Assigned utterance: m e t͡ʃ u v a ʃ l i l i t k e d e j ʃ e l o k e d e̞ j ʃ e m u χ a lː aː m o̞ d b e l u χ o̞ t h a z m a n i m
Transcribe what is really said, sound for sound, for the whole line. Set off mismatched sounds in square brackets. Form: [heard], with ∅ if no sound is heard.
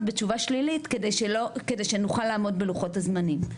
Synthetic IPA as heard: [b] e t͡ʃ u v a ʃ l i l i t k e d e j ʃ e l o k e d e̞ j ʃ e [n] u χ a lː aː m o̞ d b e l u χ o̞ t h a z m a n i m